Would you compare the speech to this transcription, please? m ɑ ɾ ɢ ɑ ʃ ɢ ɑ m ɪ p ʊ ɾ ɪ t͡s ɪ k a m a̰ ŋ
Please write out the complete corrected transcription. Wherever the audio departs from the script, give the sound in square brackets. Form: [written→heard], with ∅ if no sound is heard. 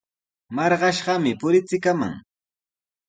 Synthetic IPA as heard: m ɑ ɾ ɢ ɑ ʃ ɢ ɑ m ɪ p ʊ ɾ ɪ t͡s ɪ k a m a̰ ŋ

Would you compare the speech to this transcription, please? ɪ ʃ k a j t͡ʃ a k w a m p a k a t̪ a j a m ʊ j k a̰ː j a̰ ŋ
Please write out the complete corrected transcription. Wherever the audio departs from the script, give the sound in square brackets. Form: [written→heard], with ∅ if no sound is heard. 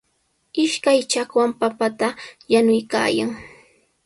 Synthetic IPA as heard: ɪ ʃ k a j t͡ʃ a k w a m p a [k→p] a t̪ a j a [m→n] ʊ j k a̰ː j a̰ ŋ

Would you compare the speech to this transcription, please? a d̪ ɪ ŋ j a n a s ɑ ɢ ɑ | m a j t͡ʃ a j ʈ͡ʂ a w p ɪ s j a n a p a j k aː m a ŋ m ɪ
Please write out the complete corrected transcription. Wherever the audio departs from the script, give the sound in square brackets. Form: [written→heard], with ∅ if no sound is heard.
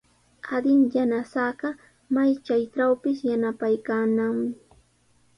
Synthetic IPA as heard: a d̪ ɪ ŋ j a n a s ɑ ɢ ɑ | m a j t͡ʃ a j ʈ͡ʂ a w p ɪ s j a n a p a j k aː [m→n] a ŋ m ɪ

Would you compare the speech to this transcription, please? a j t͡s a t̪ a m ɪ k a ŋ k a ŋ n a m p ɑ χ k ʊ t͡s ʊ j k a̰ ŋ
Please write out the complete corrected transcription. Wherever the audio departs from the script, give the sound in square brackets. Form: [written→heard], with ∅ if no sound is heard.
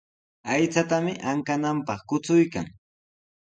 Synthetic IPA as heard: a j t͡s a t̪ a m ɪ [k→ʔ] a ŋ k a [ŋ→∅] n a m p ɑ χ k ʊ t͡s ʊ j k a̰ ŋ

